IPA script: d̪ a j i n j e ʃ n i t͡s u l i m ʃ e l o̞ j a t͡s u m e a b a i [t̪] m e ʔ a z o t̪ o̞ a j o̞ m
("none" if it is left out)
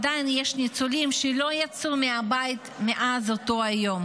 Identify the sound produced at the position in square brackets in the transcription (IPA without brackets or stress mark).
t̪